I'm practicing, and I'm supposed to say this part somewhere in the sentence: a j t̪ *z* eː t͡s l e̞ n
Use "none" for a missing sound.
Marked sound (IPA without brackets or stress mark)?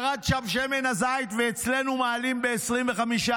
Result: v